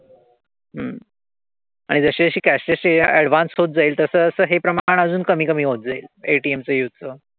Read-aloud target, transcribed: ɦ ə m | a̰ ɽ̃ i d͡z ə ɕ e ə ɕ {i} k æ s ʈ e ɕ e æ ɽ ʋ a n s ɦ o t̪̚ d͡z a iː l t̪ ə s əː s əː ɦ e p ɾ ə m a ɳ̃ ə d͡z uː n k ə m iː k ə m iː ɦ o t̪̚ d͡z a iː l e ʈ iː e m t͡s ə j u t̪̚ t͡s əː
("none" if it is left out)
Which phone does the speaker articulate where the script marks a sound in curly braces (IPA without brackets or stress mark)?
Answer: iː